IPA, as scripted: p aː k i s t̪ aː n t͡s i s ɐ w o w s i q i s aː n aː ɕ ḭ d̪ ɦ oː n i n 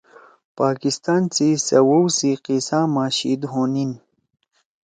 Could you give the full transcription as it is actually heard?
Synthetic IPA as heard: p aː k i s t̪ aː n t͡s i s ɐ w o w s i q i s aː m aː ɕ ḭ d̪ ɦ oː n i n

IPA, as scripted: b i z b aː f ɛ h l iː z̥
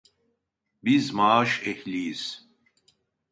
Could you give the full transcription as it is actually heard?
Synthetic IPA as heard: b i z m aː ʃ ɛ h l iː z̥

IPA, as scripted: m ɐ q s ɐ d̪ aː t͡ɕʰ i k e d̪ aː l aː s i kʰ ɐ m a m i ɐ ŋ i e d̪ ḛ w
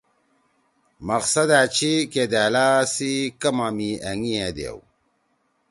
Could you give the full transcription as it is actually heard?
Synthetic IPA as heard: m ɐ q s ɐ d̪ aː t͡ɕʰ i k e d̪ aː l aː s i k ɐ m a m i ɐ ŋ i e d̪ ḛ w

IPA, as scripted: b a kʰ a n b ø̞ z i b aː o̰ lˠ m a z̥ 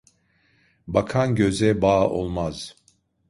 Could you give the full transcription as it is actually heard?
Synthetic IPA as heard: b a kʰ a n ɟ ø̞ z ɛ b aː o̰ lˠ m a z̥

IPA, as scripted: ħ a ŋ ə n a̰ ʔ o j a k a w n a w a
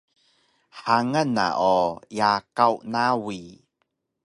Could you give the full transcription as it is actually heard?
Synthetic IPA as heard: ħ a ŋ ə n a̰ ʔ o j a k a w n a w i

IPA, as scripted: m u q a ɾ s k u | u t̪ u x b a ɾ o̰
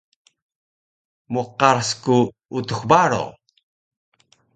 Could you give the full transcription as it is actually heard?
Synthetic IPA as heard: m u q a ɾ s k u | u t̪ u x b a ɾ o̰

